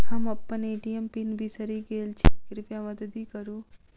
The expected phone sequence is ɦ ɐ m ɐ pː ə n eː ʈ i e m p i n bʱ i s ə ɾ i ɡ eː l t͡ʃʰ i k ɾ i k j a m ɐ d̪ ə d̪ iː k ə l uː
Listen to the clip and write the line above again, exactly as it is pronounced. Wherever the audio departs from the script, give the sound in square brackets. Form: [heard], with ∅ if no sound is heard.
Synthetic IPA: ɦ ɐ m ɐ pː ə n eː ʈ i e m p i n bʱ i s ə ɾ i ɡ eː l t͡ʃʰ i k ɾ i [p] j a m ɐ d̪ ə d̪ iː k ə [ɾ] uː

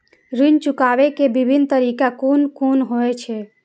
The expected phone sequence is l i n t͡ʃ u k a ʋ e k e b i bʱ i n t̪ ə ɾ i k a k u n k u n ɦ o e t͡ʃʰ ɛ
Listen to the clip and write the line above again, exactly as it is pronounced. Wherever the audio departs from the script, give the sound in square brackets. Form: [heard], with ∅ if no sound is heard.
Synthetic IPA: [ɾ] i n t͡ʃ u k a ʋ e k e b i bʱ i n t̪ ə ɾ i k a k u n k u n ɦ o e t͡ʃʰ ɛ

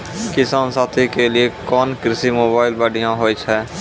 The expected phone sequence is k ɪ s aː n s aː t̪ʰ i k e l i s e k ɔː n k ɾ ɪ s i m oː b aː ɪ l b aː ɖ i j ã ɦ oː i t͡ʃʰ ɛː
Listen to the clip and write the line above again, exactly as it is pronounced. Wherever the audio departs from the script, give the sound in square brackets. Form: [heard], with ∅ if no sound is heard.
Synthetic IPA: k ɪ s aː n s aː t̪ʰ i k e l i [∅] e k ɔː n k ɾ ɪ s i m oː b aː ɪ l b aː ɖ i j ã ɦ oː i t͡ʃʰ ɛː

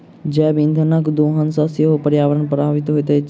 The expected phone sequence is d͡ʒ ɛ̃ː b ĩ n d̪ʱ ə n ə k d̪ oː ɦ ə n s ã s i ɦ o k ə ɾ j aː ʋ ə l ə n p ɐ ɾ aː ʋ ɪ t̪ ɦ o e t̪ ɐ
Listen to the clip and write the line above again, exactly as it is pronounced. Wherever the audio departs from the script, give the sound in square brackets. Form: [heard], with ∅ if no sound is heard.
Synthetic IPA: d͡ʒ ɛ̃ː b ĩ n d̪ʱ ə n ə k d̪ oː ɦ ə n s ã s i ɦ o [p] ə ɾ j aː ʋ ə [ɾ] ə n p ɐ ɾ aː ʋ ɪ t̪ ɦ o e t̪ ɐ

